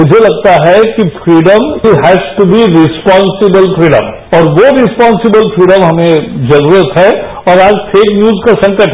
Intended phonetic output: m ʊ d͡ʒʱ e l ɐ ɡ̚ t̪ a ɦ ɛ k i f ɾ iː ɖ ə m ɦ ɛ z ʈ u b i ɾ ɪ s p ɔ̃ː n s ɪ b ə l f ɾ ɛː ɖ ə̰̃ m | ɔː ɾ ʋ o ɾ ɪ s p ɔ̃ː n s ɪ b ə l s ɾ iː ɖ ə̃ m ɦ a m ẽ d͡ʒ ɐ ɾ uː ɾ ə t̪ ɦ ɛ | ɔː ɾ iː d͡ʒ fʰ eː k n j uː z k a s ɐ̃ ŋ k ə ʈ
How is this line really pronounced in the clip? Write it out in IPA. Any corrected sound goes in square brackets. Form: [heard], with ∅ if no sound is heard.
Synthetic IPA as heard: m ʊ d͡ʒʱ e l ɐ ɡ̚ t̪ a ɦ ɛ k i f ɾ iː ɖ ə m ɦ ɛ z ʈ u b i ɾ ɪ s p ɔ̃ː n s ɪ b ə l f ɾ [iː] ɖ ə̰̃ m | ɔː ɾ ʋ o ɾ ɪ s p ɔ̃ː n s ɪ b ə l [f] ɾ iː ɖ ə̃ m ɦ [ɐ] m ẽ d͡ʒ ɐ ɾ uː ɾ ə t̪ ɦ ɛ | ɔː ɾ [aː] d͡ʒ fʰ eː k n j uː z k a s ɐ̃ ŋ k ə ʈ

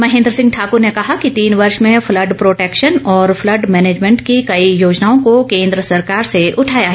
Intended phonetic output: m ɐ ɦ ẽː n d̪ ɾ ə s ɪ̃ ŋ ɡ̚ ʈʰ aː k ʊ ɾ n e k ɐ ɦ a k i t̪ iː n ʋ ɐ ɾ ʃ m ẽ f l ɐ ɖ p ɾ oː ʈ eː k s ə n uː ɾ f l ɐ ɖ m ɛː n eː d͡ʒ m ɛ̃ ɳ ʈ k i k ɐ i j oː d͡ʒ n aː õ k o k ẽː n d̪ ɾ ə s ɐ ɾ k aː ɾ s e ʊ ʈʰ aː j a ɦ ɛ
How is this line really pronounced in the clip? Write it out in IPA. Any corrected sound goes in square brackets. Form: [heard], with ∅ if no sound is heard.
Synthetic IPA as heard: m ɐ ɦ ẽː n d̪ ɾ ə s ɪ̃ ŋ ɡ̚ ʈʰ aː k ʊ ɾ n e k ɐ ɦ a k i t̪ iː n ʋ ɐ ɾ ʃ m ẽ f l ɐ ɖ p ɾ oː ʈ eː k [ʃ] ə n [ɔː] ɾ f l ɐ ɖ m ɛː n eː d͡ʒ m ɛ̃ ɳ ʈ k i k ɐ i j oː d͡ʒ n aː õ k o k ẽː n d̪ ɾ ə s ɐ ɾ k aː ɾ s e ʊ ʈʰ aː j a ɦ ɛ

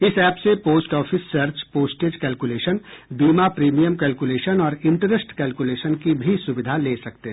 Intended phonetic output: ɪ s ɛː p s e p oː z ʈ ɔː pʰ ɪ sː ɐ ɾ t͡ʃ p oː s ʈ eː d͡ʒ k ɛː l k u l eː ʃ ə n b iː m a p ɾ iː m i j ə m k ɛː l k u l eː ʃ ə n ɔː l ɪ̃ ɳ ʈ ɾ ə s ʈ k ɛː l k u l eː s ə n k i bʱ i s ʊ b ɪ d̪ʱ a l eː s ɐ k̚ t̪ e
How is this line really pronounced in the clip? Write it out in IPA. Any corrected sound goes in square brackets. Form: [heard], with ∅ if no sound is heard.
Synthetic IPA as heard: ɪ s ɛː p s e p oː [s] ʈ ɔː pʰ ɪ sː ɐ ɾ t͡ʃ p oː s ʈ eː d͡ʒ k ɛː l k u l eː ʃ ə n b iː m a p ɾ iː m i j ə m k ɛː l k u l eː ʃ ə n ɔː [ɾ] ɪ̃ ɳ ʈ ɾ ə s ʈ k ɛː l k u l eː [ʃ] ə n k i bʱ i s ʊ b ɪ d̪ʱ a l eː s ɐ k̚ t̪ e

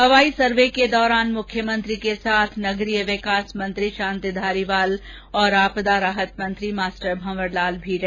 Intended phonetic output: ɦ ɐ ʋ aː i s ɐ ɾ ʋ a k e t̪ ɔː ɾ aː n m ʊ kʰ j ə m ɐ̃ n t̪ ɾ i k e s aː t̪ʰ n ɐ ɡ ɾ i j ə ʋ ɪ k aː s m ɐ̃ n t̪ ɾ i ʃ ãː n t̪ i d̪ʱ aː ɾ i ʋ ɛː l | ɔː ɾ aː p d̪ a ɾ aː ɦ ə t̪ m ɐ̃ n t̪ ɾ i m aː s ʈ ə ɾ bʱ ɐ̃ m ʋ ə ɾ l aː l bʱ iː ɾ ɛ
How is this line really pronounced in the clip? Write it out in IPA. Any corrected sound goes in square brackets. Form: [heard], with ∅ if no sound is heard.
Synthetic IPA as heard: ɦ ɐ ʋ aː i s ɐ ɾ ʋ [e] k e [d̪] ɔː ɾ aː n m ʊ kʰ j ə m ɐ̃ n t̪ ɾ i k e s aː t̪ʰ n ɐ ɡ ɾ i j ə ʋ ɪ k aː s m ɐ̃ n t̪ ɾ i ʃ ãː n t̪ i d̪ʱ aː ɾ i ʋ [aː] l | ɔː ɾ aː p d̪ a ɾ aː ɦ ə t̪ m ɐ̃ n t̪ ɾ i m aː s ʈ ə ɾ bʱ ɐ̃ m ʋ ə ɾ l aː l bʱ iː ɾ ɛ

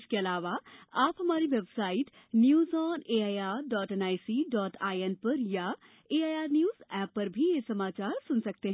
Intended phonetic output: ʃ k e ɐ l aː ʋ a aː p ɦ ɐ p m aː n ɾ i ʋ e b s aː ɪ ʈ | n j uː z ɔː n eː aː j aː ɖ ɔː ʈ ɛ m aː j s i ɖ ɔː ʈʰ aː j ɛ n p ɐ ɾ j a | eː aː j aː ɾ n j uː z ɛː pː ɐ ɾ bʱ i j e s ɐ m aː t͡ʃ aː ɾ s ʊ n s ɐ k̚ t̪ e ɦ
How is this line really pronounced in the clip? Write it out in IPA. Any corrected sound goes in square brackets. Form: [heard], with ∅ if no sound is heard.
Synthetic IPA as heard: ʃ k e ɐ l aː ʋ a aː p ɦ ɐ [∅] m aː [∅] ɾ i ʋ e b s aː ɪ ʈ | n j uː z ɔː n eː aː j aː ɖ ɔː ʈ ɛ [n] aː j s i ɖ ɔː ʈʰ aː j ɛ n p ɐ ɾ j a | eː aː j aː ɾ n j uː z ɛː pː ɐ ɾ bʱ i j e s ɐ m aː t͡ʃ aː ɾ s ʊ n s ɐ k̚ t̪ e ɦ

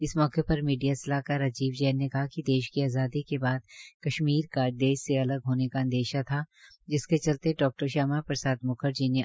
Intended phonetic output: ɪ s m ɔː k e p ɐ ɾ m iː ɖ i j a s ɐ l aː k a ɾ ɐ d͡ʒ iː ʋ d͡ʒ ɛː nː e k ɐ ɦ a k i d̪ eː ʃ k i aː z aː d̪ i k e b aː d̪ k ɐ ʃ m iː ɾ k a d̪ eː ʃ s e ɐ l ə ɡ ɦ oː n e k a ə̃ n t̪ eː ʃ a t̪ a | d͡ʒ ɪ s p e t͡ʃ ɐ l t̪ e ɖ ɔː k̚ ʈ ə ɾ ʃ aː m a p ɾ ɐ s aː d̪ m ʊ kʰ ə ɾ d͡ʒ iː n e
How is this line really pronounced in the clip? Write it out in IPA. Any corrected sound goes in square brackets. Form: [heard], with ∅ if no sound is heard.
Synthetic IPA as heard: ɪ s m ɔː k e p ɐ ɾ m iː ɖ i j a s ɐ l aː k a ɾ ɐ d͡ʒ iː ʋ d͡ʒ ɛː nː e k ɐ ɦ a k i d̪ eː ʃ k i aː z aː d̪ i k e b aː d̪ k ɐ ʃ m iː ɾ k a d̪ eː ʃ s e ɐ l ə ɡ ɦ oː n e k a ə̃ n [d̪] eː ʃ a [t̪ʰ] a | d͡ʒ ɪ s [k] e t͡ʃ ɐ l t̪ e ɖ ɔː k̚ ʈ ə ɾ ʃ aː m a p ɾ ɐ s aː d̪ m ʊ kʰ ə ɾ d͡ʒ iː n e

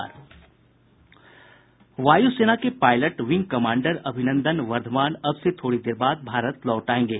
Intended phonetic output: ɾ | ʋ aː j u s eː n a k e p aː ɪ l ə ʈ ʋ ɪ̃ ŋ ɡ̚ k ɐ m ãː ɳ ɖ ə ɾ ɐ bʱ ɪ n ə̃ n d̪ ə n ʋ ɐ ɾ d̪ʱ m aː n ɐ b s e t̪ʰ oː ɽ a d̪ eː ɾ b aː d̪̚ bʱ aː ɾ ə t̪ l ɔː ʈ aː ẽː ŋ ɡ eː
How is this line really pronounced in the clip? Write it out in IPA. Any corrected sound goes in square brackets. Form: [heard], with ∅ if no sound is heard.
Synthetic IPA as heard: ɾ | ʋ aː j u s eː n a k e p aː ɪ l ə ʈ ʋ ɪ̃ ŋ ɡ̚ k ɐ m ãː ɳ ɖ ə ɾ ɐ bʱ ɪ n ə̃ n d̪ ə n ʋ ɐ ɾ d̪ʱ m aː n ɐ b s e t̪ʰ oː ɽ [i] d̪ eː ɾ b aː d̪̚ bʱ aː ɾ ə t̪ l ɔː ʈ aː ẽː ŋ ɡ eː

